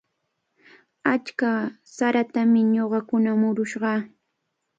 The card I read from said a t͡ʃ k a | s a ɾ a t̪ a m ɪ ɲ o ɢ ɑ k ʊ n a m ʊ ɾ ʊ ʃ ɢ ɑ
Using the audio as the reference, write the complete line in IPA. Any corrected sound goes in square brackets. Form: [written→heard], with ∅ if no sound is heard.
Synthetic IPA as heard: a t͡ʃ k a | s a ɾ a t̪ a m ɪ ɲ o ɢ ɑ k ʊ n a m ʊ ɾ ʊ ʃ ɢ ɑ